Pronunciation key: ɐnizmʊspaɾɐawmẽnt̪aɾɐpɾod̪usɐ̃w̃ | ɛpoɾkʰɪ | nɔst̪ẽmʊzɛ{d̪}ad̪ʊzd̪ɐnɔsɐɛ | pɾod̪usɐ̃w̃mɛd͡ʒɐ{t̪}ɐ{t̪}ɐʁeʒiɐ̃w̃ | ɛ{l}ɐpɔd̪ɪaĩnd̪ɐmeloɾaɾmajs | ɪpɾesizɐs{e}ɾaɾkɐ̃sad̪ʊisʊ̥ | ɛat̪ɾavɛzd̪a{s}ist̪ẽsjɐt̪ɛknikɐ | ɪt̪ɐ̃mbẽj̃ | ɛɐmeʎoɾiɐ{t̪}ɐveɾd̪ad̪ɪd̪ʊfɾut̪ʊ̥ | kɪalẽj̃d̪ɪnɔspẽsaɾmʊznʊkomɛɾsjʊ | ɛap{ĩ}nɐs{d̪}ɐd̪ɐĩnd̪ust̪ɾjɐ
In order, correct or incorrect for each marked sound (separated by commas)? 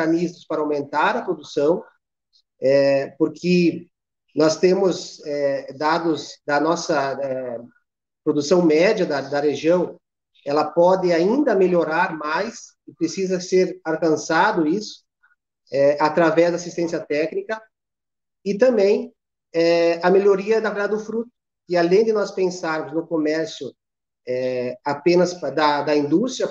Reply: correct, incorrect, incorrect, correct, correct, correct, incorrect, incorrect, correct